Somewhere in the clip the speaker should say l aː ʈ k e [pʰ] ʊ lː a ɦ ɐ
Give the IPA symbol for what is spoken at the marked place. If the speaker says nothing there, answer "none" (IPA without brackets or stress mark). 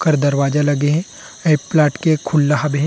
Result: kʰ